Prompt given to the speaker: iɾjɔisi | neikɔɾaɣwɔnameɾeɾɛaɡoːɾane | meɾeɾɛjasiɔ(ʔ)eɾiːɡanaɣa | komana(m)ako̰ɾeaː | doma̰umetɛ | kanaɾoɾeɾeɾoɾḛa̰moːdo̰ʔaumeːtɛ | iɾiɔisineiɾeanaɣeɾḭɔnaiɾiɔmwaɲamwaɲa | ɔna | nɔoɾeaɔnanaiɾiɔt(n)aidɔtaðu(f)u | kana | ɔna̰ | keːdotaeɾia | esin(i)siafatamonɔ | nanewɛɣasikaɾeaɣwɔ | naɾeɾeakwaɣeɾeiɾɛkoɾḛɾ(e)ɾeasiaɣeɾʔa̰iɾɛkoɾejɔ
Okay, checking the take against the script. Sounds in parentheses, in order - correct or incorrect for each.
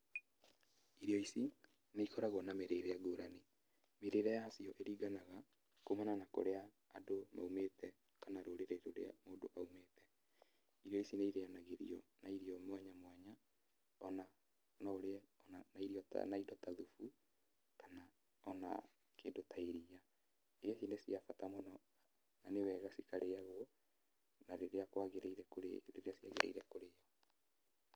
correct, incorrect, correct, correct, incorrect, correct

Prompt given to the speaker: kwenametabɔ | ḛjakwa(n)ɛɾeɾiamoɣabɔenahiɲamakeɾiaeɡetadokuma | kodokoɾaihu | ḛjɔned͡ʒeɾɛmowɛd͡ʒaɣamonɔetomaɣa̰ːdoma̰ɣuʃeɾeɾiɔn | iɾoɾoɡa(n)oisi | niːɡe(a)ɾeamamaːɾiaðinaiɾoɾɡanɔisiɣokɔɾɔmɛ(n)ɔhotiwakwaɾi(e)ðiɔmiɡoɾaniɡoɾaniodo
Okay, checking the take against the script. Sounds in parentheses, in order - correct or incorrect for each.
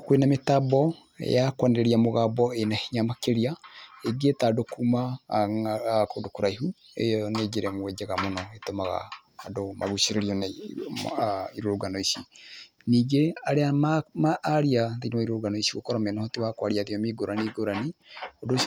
correct, correct, correct, correct, incorrect

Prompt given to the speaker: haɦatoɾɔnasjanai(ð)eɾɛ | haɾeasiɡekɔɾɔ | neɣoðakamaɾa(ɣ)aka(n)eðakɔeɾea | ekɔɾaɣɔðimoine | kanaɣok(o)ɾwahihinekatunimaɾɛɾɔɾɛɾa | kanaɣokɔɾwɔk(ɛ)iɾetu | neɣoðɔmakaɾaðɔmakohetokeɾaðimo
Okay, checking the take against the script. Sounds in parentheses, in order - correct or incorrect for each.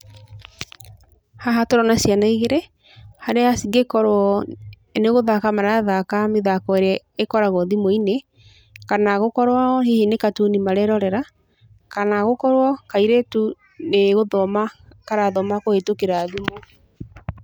incorrect, incorrect, incorrect, incorrect, incorrect

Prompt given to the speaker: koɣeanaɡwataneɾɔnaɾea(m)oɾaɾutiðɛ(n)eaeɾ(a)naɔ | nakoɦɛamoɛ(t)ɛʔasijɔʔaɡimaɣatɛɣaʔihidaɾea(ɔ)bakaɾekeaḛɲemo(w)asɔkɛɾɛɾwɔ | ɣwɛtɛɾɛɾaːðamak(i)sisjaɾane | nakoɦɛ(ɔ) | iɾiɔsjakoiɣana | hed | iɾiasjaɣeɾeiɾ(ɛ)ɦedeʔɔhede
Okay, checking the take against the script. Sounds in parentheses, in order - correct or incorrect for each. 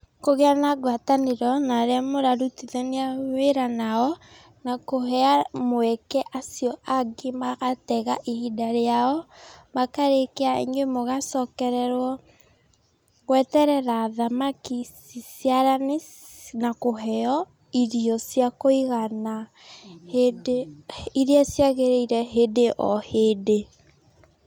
correct, correct, correct, incorrect, correct, incorrect, correct, correct, correct

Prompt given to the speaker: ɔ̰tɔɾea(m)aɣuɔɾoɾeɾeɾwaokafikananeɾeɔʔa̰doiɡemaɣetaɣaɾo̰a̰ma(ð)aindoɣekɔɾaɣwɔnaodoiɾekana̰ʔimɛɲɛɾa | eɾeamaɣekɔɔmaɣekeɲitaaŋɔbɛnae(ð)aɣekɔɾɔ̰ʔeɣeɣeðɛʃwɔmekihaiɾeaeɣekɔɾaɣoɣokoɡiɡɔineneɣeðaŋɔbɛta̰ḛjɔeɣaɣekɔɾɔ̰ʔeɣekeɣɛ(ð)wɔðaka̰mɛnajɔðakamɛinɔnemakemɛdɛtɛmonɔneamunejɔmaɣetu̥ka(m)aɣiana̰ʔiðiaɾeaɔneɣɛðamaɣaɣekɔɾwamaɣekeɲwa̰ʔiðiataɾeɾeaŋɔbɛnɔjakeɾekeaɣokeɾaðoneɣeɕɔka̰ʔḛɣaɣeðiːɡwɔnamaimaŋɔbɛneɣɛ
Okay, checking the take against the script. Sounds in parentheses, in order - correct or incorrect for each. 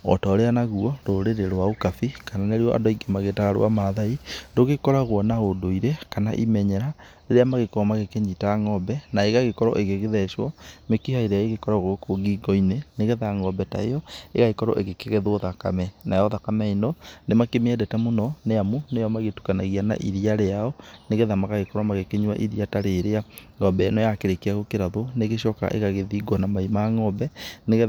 incorrect, correct, incorrect, correct, incorrect

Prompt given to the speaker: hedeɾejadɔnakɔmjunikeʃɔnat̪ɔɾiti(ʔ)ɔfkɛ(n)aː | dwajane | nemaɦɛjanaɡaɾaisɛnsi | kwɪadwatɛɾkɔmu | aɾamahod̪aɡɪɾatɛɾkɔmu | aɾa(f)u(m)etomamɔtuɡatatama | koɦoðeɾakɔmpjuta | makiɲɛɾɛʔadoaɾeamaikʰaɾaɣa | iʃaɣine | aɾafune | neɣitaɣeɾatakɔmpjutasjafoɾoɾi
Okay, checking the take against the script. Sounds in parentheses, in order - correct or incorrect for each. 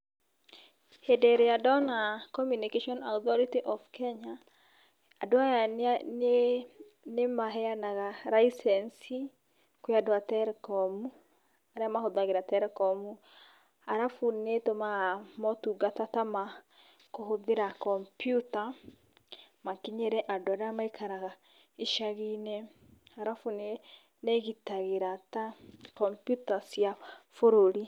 correct, incorrect, correct, incorrect

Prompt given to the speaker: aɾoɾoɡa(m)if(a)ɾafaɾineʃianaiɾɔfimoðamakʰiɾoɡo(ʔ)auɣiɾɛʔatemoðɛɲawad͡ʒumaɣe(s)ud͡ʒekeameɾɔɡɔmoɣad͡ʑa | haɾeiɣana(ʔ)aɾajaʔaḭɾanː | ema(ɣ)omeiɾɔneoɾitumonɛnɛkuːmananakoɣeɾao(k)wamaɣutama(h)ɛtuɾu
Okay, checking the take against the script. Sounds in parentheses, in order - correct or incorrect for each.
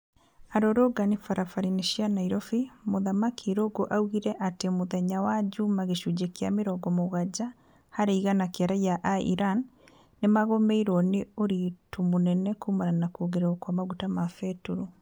incorrect, correct, correct, incorrect, incorrect, correct, correct, incorrect

